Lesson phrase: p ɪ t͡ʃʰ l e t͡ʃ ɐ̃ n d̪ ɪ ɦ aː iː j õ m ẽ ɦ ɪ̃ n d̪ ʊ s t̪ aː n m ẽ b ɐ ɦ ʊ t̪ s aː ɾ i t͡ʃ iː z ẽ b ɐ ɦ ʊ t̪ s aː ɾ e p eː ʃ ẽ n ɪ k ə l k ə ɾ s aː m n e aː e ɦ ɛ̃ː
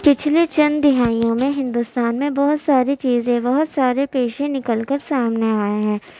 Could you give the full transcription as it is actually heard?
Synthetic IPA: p ɪ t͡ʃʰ l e t͡ʃ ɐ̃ n d̪ ɪ ɦ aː i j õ m ẽ ɦ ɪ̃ n d̪ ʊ s t̪ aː n m ẽ b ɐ ɦ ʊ t̪ s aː ɾ i t͡ʃ iː z ẽ b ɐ ɦ ʊ t̪ s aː ɾ e p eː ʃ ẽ n ɪ k ə l k ə ɾ s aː m n e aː e ɦ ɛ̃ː